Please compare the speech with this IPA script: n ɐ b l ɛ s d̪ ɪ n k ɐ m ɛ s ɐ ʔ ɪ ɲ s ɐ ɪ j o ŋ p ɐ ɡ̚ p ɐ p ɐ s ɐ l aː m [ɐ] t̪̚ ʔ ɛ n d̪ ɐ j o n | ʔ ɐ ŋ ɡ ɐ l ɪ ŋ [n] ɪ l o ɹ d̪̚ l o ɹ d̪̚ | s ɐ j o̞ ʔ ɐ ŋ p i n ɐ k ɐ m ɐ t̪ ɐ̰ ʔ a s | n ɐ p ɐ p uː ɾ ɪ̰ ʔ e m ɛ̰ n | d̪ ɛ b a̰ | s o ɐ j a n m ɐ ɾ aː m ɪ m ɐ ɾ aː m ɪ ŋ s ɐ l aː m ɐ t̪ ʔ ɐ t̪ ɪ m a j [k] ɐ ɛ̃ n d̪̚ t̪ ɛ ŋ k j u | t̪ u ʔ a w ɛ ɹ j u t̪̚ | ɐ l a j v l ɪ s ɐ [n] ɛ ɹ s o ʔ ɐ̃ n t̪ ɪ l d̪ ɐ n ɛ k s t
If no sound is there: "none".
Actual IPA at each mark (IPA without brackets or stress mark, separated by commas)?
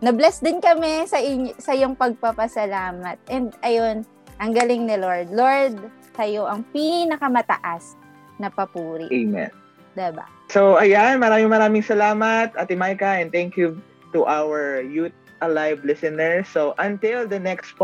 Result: ɐ, n, k, n